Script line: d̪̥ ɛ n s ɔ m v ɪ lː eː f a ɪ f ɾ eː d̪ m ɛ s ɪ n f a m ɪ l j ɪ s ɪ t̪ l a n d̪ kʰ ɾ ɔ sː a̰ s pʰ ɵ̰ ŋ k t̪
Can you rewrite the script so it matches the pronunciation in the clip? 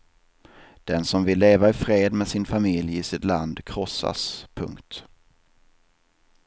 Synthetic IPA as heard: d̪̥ ɛ n s ɔ m v ɪ lː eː v a ɪ f ɾ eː d̪ m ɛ s ɪ n f a m ɪ l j ɪ s ɪ t̪ l a n d̪ kʰ ɾ ɔ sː a̰ s pʰ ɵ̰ ŋ k t̪